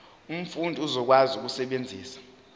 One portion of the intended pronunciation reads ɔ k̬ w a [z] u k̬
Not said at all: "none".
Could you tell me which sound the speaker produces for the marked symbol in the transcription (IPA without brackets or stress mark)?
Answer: z